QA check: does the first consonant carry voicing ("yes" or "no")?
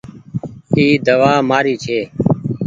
yes